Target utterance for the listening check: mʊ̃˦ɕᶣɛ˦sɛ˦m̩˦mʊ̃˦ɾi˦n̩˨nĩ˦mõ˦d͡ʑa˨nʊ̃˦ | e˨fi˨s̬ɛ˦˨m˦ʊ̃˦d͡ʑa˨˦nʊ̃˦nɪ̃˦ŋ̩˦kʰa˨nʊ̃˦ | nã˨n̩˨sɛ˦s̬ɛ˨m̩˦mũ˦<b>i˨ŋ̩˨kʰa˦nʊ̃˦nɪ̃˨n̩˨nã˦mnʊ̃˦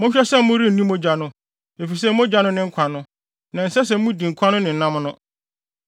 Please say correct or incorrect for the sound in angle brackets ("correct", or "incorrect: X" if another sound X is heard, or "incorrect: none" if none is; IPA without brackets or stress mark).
incorrect: d